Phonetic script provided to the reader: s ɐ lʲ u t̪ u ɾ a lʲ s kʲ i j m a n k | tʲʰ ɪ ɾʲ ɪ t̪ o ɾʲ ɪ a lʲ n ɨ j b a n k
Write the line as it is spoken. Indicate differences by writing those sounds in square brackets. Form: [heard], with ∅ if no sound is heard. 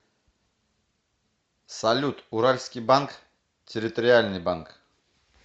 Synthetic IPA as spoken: s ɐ lʲ u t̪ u ɾ a lʲ s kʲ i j [b] a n k | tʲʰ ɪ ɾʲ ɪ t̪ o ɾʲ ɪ a lʲ n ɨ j b a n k

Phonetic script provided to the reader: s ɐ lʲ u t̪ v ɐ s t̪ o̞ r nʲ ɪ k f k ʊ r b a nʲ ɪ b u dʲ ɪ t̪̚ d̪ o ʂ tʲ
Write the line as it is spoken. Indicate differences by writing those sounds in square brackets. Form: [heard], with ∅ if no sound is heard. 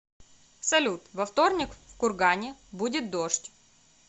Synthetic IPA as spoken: s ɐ lʲ u t̪ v ɐ [f] t̪ o̞ r nʲ ɪ k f k ʊ r [ɡ] a nʲ ɪ b u dʲ ɪ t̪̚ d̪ o ʂ tʲ

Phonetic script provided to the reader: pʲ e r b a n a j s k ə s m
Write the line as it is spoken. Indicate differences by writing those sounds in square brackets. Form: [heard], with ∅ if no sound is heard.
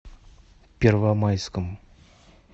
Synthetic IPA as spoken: pʲ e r [v] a [m] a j s k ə [∅] m

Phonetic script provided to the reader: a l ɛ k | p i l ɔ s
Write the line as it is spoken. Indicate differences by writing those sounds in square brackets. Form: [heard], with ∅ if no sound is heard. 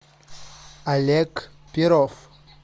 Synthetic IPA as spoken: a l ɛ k | p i [ɾ] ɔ [f]

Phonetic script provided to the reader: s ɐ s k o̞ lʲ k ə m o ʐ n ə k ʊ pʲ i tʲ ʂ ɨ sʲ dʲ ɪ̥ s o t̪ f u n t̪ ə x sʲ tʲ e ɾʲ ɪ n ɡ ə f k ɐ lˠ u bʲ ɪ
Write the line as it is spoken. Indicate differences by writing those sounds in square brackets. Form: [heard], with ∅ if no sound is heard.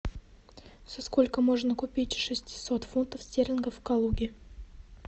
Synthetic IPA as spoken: s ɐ s k o̞ lʲ k ə m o ʐ n ə k ʊ pʲ i tʲ ʂ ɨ sʲ [tʲ] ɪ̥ s o t̪ f u n t̪ ə [f] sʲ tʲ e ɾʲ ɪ n ɡ ə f k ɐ lˠ u [ɡʲ] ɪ

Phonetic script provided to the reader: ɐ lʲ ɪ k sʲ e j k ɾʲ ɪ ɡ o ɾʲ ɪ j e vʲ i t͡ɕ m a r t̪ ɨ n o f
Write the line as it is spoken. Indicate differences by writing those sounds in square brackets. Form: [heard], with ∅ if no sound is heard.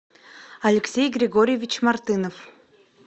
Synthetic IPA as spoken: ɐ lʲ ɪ k sʲ e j [ɡ] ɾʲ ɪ ɡ o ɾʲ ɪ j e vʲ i t͡ɕ m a r t̪ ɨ n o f

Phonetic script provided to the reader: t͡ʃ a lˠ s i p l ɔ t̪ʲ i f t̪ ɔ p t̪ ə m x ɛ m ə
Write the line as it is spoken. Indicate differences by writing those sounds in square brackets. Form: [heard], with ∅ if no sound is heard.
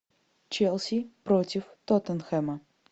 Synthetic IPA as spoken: t͡ʃ [ɛ] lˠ s i p [ɾ] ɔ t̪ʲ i f t̪ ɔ [∅] t̪ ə [n] x ɛ m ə

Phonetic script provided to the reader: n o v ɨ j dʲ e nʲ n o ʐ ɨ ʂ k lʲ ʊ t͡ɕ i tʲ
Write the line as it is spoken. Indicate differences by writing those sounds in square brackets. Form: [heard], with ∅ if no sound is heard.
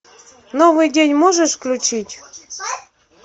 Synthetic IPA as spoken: n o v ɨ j dʲ e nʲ [m] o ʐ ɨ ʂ k lʲ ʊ t͡ɕ i tʲ

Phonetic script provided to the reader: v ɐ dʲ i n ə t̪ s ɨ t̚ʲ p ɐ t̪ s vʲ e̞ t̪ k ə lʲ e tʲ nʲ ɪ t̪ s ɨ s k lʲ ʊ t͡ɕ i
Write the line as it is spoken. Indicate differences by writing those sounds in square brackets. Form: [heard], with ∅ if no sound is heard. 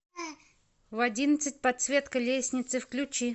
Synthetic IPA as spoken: v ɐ dʲ i n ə t̪ s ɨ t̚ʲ p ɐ t̪ s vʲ e̞ t̪ k ə lʲ e [sʲ] nʲ ɪ t̪ s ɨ [f] k lʲ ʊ t͡ɕ i

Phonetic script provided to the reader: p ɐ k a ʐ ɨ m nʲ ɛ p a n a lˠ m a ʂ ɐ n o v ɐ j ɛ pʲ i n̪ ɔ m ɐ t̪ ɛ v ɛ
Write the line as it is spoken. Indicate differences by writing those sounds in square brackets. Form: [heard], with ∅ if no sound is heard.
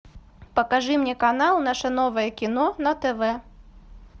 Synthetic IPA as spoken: p ɐ k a ʐ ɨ m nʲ ɛ [k] a n a lˠ [n] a ʂ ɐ n [ɔ] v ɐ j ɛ [kʲ] i n̪ ɔ [n] ɐ t̪ ɛ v ɛ

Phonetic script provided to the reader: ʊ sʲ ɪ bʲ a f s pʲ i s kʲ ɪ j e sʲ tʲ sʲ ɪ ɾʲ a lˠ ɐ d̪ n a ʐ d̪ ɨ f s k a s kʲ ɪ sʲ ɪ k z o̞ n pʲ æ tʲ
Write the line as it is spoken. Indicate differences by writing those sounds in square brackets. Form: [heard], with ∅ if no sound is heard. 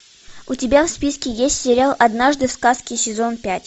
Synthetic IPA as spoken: ʊ [tʲ] ɪ bʲ a f s pʲ i s kʲ ɪ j e sʲ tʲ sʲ ɪ ɾʲ a lˠ ɐ d̪ n a ʐ d̪ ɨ f s k a s kʲ ɪ sʲ ɪ [∅] z o̞ n pʲ æ tʲ

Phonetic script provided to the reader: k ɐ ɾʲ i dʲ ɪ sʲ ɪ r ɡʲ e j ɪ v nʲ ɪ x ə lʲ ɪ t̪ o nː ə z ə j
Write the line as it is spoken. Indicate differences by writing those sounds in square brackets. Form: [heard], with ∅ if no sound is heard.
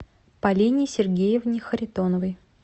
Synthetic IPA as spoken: [p] ɐ [lʲ] i [nʲ] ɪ sʲ ɪ r ɡʲ e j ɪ v nʲ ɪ x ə [ɾʲ] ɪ t̪ o [n] ə [v] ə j

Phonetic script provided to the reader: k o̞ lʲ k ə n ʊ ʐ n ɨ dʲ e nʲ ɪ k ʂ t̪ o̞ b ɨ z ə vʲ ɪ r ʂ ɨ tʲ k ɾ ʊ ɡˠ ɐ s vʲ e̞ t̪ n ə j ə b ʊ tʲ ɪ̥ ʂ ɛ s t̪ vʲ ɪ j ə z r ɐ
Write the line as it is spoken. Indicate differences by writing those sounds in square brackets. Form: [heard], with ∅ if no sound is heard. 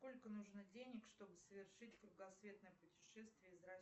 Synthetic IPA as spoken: k o̞ lʲ k ə n [u] ʐ n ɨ dʲ e nʲ ɪ k ʂ t̪ o̞ b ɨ [s] ə vʲ ɪ r ʂ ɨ tʲ k ɾ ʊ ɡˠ ɐ s vʲ e̞ t̪ n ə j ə [p] ʊ tʲ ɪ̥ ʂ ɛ s t̪ vʲ ɪ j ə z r ɐ

